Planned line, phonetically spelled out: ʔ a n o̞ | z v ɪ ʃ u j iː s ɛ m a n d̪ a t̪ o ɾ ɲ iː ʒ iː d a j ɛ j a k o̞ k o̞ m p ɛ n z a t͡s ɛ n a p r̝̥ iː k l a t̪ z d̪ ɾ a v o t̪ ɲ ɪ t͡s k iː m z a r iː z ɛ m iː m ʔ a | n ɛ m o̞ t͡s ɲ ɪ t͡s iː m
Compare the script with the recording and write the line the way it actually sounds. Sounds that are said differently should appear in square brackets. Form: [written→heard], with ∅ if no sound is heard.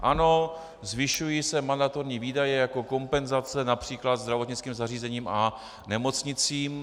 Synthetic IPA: ʔ a n o̞ | z v ɪ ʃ u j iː s ɛ m a n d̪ a t̪ o ɾ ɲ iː [ʒ→v] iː d a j ɛ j a k o̞ k o̞ m p ɛ n z a t͡s ɛ n a p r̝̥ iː k l a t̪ z d̪ ɾ a v o t̪ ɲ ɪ t͡s k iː m z a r iː z ɛ [m→ɲ] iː m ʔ a | n ɛ m o̞ t͡s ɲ ɪ t͡s iː m

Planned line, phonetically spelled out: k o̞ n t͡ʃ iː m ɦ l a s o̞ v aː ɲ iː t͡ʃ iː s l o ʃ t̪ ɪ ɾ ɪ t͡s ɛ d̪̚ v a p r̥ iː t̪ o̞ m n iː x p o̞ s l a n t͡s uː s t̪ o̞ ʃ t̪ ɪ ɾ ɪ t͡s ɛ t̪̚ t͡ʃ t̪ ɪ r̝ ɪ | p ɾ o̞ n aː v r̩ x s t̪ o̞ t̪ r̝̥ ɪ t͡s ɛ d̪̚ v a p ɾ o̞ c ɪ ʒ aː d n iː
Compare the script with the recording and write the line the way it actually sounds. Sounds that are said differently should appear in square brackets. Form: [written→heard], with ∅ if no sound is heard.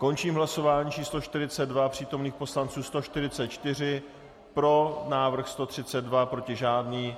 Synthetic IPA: k o̞ n t͡ʃ iː m ɦ l a s o̞ v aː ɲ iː t͡ʃ iː s l o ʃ t̪ ɪ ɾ ɪ t͡s ɛ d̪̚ v a p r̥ iː t̪ o̞ m n iː x p o̞ s l a n t͡s uː s t̪ o̞ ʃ t̪ ɪ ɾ ɪ t͡s ɛ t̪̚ t͡ʃ t̪ ɪ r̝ ɪ | p ɾ o̞ n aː v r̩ x s t̪ o̞ t̪ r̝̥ ɪ t͡s ɛ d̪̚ v a p ɾ o̞ c ɪ ʒ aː d n iː

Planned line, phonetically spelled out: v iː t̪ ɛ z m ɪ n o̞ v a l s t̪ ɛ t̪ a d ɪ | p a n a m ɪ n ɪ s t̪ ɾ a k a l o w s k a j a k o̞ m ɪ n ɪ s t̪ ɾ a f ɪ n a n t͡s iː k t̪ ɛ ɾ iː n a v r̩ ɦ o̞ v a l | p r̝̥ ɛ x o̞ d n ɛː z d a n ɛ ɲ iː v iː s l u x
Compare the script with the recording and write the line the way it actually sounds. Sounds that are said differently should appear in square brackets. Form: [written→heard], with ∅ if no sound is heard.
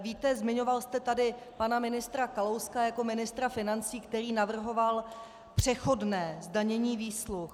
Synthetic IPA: v iː t̪ ɛ z m ɪ [n→ɲ] o̞ v a l s t̪ ɛ t̪ a d ɪ | p a n a m ɪ n ɪ s t̪ ɾ a k a l o w s k a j a k o̞ m ɪ n ɪ s t̪ ɾ a f ɪ n a n t͡s iː k t̪ ɛ ɾ iː n a v r̩ ɦ o̞ v a l | p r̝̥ ɛ x o̞ d n ɛː z d a [n→ɲ] ɛ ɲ iː v iː s l u x

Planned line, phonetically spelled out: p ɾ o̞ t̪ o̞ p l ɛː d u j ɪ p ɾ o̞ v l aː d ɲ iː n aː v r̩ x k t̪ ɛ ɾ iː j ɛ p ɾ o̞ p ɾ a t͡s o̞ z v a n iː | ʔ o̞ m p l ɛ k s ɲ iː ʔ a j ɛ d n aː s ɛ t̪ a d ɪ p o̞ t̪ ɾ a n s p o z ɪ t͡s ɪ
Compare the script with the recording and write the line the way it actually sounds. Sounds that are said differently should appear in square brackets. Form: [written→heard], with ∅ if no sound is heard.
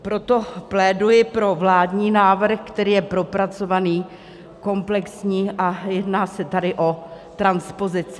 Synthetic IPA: p ɾ o̞ t̪ o̞ p l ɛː d u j ɪ p ɾ o̞ v l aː d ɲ iː n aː v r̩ x k t̪ ɛ ɾ iː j ɛ p ɾ o̞ p ɾ a t͡s o̞ [z→∅] v a n iː | [ʔ→k] o̞ m p l ɛ k s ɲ iː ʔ a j ɛ d n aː s ɛ t̪ a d ɪ [p→ʔ] o̞ t̪ ɾ a n s p o z ɪ t͡s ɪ

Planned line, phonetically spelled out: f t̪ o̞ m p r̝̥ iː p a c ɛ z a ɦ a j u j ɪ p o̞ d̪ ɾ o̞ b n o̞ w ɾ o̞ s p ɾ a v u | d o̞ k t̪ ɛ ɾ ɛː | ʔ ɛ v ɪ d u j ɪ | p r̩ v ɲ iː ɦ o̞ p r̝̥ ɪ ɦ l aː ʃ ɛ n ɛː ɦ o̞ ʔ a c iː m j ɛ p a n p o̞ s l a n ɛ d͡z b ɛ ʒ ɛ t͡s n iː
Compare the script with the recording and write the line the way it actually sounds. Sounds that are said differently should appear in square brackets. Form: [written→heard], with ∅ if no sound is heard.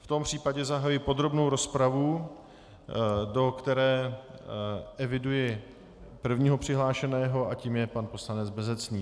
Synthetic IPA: f t̪ o̞ m p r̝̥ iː p a [c→ɟ] ɛ z a ɦ a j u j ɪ p o̞ d̪ ɾ o̞ b n o̞ w ɾ o̞ s p ɾ a v u | d o̞ k t̪ ɛ ɾ ɛː | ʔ ɛ v ɪ d u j ɪ | p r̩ v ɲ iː ɦ o̞ p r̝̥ ɪ ɦ l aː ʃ ɛ n ɛː ɦ o̞ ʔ a c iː m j ɛ p a n p o̞ s l a n ɛ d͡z b ɛ [ʒ→z] ɛ t͡s n iː

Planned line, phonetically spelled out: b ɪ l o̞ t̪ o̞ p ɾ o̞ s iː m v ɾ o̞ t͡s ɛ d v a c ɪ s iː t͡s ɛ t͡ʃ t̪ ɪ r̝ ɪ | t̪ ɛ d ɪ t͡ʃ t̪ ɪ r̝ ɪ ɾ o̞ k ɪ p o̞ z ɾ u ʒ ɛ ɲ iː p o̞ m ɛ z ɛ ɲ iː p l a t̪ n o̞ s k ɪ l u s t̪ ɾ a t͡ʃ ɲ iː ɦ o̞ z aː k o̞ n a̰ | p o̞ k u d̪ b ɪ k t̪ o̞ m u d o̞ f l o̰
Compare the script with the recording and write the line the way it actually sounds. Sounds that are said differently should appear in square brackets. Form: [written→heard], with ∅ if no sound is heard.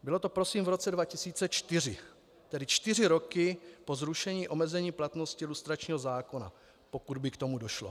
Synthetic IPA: b ɪ l o̞ t̪ o̞ p ɾ o̞ s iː m v ɾ o̞ t͡s ɛ d v a c ɪ s iː t͡s ɛ t͡ʃ t̪ ɪ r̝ ɪ | t̪ ɛ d ɪ t͡ʃ t̪ ɪ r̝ ɪ ɾ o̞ k ɪ p o̞ z ɾ u [ʒ→ʃ] ɛ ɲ iː [p→ʔ] o̞ m ɛ z ɛ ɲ iː p l a t̪ n o̞ s [k→c] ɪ l u s t̪ ɾ a t͡ʃ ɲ iː ɦ o̞ z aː k o̞ n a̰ | p o̞ k u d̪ b ɪ k t̪ o̞ m u d o̞ [f→ʃ] l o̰

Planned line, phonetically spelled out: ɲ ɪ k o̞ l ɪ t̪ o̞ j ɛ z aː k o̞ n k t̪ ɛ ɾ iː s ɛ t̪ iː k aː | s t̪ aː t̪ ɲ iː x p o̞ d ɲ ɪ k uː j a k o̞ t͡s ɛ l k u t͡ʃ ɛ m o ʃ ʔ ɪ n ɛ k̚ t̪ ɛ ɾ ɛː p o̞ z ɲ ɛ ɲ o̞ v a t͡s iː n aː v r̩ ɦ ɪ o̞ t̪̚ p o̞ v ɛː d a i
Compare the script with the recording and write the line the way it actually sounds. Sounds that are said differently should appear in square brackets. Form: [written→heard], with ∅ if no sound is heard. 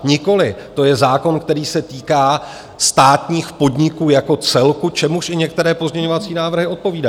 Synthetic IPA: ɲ ɪ k o̞ l ɪ t̪ o̞ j ɛ z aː k o̞ n k t̪ ɛ ɾ iː s ɛ t̪ iː k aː | s t̪ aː t̪ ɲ iː x p o̞ d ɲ ɪ k uː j a k o̞ t͡s ɛ l k u t͡ʃ ɛ m [o→u] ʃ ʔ ɪ [n→ɲ] ɛ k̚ t̪ ɛ ɾ ɛː p o̞ z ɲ ɛ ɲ o̞ v a t͡s iː n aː v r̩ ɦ ɪ o̞ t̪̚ p o̞ v [ɛː→iː] d a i

